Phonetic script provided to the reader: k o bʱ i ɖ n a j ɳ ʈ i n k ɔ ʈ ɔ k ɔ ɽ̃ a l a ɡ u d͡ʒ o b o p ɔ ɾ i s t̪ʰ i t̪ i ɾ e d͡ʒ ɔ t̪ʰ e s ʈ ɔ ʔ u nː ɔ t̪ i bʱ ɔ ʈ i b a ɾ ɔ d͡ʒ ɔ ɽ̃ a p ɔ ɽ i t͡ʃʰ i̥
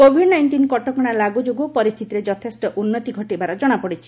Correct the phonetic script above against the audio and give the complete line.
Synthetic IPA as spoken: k o bʱ i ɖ n a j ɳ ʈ i n k ɔ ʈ ɔ k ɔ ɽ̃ a l a ɡ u d͡ʒ o ɡ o p ɔ ɾ i s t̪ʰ i t̪ i ɾ e d͡ʒ ɔ t̪ʰ e s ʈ ɔ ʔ u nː ɔ t̪ i ɡʱ ɔ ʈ i b a ɾ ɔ d͡ʒ ɔ ɽ̃ a p ɔ ɽ i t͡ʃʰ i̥